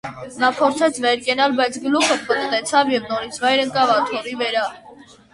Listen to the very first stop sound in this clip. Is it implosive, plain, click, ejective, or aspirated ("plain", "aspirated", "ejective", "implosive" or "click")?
aspirated